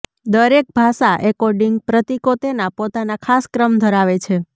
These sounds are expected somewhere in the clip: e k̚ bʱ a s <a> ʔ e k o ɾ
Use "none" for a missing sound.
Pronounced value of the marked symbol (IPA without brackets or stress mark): a